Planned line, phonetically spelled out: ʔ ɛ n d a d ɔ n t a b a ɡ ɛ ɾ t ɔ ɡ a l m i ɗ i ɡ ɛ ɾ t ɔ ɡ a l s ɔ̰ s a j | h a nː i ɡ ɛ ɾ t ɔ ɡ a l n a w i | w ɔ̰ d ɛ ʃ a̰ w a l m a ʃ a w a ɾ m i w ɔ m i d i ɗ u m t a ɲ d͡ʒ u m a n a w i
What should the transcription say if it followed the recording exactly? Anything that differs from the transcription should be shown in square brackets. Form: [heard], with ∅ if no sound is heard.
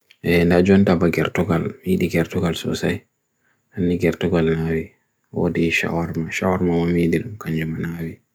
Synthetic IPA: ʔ ɛ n d a [d͡ʒ] ɔ n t a b a ɡ ɛ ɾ t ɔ ɡ a l m i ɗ i ɡ ɛ ɾ t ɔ ɡ a l s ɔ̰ s a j | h a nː i ɡ ɛ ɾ t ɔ ɡ a l n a w i | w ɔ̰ d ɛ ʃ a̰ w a [ɾ] m a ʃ a w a ɾ m [a] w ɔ m i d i ɗ u m [k] a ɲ d͡ʒ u m a n a w i